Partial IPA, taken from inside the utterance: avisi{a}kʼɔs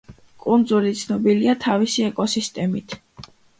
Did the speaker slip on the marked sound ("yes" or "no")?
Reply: yes